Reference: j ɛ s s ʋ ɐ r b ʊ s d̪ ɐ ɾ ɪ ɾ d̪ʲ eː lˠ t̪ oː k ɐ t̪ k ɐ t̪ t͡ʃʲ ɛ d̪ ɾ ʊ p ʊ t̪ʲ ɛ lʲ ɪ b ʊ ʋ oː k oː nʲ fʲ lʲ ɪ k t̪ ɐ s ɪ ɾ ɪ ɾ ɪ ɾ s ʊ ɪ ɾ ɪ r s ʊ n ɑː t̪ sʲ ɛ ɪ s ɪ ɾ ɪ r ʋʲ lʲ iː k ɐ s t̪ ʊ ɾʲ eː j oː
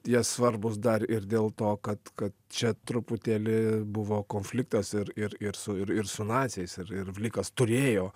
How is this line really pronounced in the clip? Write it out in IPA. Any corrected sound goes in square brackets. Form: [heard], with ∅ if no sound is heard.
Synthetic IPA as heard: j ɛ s s ʋ ɐ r b ʊ s d̪ ɐ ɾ ɪ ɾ d̪ʲ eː lˠ t̪ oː k ɐ t̪ k ɐ t̪ t͡ʃʲ ɛ [t̪] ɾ ʊ p ʊ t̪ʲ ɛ lʲ ɪ b ʊ ʋ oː k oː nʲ fʲ lʲ ɪ k t̪ ɐ s ɪ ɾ ɪ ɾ ɪ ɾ s ʊ ɪ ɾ ɪ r s ʊ n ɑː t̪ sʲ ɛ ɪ s ɪ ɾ ɪ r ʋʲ lʲ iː k ɐ s t̪ ʊ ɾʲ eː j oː